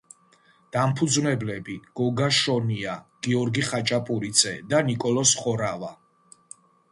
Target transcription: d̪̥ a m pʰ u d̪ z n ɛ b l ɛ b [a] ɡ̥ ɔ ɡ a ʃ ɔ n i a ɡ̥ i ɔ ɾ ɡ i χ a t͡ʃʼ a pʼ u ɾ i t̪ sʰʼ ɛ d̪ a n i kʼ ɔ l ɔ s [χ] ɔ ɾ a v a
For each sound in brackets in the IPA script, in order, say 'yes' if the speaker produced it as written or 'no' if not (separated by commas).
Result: no, yes